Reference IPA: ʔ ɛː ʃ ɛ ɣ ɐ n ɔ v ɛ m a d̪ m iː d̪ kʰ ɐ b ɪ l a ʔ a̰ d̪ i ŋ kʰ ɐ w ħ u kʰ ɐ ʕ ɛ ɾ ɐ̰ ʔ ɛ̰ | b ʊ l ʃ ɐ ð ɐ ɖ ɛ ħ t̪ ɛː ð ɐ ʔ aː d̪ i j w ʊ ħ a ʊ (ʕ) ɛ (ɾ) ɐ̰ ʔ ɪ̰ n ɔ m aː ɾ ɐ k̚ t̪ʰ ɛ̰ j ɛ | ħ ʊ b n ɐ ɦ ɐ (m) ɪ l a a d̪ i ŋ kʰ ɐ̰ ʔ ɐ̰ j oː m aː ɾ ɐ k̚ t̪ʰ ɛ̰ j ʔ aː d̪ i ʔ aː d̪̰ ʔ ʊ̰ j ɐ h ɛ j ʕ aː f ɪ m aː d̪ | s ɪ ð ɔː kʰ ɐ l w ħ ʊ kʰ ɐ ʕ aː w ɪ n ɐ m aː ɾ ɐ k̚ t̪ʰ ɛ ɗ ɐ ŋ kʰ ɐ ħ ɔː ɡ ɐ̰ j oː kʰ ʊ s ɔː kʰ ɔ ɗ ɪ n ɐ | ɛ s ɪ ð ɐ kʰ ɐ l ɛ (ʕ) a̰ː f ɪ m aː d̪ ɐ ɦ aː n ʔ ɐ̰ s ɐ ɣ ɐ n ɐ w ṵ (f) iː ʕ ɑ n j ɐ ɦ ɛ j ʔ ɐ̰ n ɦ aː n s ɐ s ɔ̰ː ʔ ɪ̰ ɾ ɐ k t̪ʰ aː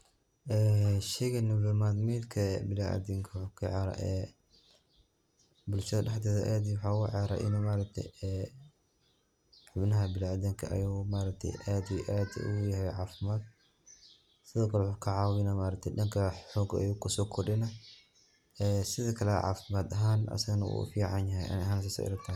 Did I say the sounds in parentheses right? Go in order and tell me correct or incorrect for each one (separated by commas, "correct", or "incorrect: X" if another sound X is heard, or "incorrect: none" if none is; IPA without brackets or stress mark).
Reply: correct, correct, incorrect: b, correct, correct